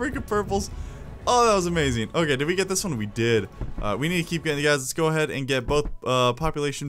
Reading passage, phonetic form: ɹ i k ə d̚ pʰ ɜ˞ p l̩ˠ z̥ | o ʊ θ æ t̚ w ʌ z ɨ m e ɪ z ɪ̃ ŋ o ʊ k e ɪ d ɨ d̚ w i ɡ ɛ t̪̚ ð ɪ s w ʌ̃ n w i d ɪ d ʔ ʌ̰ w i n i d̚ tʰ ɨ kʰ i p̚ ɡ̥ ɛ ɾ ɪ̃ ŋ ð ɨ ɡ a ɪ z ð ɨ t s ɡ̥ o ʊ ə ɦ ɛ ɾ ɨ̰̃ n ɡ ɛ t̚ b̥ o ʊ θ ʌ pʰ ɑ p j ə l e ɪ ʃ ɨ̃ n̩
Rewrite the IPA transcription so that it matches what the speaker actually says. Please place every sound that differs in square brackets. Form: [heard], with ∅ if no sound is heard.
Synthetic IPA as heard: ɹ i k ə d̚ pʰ ɜ˞ p l̩ˠ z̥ | o ʊ [ð] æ t̚ w ʌ z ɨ m e ɪ z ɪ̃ ŋ o ʊ k e ɪ d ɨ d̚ w i ɡ ɛ t̪̚ ð ɪ s w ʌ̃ n w i d ɪ d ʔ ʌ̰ w i n i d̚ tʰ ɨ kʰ i p̚ ɡ̥ ɛ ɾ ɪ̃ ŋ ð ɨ ɡ a ɪ z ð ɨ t s ɡ̥ o ʊ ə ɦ ɛ ɾ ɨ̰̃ n ɡ ɛ t̚ b̥ o ʊ θ ʌ pʰ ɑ p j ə l e ɪ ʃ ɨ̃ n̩